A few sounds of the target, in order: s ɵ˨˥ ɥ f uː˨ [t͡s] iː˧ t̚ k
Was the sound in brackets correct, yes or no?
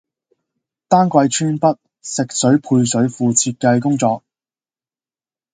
no